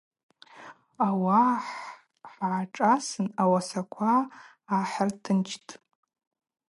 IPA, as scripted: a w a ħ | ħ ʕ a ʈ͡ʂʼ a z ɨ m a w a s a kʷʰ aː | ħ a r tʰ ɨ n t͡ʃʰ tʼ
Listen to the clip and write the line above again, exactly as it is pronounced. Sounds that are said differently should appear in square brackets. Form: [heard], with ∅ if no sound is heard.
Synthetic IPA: a w a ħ | ħ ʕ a ʈ͡ʂʼ a [s] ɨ [n] a w a s a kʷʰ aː | ħ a r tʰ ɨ n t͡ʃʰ tʼ